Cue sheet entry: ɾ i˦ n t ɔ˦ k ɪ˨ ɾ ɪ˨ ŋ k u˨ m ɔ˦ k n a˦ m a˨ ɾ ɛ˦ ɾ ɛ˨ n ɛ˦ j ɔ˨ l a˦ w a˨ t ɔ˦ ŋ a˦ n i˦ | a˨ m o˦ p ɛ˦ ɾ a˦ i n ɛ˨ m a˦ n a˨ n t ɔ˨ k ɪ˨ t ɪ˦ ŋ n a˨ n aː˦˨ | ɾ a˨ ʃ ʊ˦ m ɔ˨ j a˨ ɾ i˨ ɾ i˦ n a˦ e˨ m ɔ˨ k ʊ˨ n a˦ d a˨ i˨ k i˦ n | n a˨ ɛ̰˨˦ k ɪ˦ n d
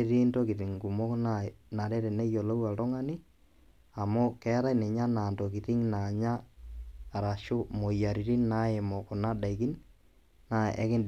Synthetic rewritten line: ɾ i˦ n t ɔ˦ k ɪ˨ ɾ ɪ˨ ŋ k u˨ m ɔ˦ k n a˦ n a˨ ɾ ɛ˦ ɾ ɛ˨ n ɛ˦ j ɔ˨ l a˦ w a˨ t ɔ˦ ŋ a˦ n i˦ | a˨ m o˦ k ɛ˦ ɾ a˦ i n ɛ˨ ɲ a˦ n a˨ n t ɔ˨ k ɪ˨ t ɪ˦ ŋ n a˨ ɲ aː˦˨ | ɾ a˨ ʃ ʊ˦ m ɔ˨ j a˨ ɾ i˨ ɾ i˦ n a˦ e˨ m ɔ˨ k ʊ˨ n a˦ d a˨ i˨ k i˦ n | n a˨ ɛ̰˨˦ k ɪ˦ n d